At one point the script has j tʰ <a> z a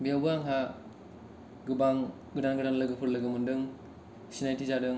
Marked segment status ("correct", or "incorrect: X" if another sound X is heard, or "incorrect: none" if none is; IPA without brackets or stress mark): incorrect: i